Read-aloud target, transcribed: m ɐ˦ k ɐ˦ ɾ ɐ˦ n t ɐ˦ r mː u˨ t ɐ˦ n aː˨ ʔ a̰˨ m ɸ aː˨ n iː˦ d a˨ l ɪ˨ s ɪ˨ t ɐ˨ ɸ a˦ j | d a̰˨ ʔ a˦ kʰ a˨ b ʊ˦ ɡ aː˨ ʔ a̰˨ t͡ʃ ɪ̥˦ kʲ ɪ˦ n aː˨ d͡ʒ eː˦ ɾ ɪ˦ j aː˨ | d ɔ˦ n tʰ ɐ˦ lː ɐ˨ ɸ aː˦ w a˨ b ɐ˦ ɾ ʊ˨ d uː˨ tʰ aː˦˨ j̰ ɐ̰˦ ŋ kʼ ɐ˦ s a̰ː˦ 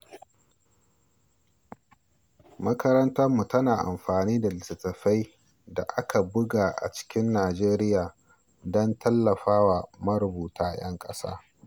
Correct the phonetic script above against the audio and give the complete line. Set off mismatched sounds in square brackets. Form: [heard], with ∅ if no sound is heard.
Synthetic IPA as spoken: m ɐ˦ k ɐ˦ ɾ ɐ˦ n t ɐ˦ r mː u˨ t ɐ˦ n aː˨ ʔ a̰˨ m ɸ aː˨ n iː˦ d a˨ l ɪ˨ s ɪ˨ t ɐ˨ ɸ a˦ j | d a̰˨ ʔ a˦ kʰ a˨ b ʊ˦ ɡ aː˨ ʔ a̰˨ t͡ʃ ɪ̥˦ kʲ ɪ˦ [nː] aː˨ d͡ʒ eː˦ ɾ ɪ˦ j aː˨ | d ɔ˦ n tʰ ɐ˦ lː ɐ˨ ɸ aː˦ w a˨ [m] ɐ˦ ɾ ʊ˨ [b] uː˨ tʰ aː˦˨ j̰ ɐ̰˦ ŋ kʼ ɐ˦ s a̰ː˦